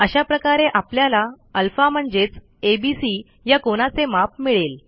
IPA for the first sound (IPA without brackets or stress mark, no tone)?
ə